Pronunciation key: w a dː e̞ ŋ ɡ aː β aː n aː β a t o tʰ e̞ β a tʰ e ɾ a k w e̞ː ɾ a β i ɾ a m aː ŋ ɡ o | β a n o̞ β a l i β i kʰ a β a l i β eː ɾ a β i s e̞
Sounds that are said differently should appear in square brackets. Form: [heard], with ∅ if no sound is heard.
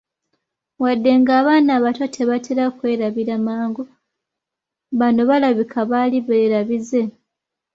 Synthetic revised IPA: w a dː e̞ ŋ ɡ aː β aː n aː β a t o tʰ e̞ β a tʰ e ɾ a k w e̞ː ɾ a β i ɾ a m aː ŋ ɡ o | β a n o̞ β a l [a] β i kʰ a β a l i β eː ɾ a β i [z] e̞